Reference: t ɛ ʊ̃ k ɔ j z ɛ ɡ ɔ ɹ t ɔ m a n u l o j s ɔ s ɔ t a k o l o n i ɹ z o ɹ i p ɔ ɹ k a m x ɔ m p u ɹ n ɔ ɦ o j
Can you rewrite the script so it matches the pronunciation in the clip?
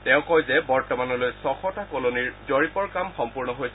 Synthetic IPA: t ɛ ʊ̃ k ɔ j z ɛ b ɔ ɹ t ɔ m a n ɔ l o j s ɔ x ɔ t a k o l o n i ɹ z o ɹ i p ɔ ɹ k a m x ɔ m p u ɹ n ɔ ɦ o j